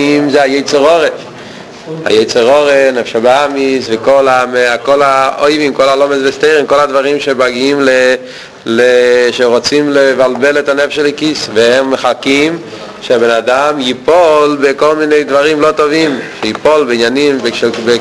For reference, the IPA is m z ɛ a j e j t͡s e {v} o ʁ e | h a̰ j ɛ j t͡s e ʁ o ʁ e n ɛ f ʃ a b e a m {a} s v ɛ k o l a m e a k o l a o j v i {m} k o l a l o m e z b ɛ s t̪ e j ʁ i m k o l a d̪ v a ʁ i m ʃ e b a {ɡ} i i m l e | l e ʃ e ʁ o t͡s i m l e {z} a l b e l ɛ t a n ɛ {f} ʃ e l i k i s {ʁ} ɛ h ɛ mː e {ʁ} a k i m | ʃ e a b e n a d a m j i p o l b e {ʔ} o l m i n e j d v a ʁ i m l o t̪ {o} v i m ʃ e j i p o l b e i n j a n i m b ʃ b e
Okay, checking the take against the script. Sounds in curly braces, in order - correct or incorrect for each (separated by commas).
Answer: incorrect, incorrect, correct, correct, incorrect, correct, incorrect, incorrect, incorrect, correct